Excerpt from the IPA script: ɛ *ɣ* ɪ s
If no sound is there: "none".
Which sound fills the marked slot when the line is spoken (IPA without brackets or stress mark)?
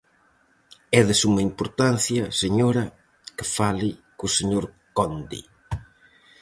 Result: ð